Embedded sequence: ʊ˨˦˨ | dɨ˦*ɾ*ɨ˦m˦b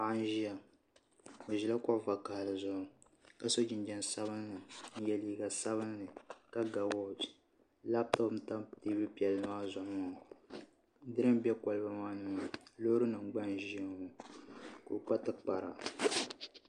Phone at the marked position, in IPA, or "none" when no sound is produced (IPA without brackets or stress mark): ɾ